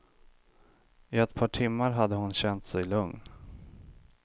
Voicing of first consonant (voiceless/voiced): voiceless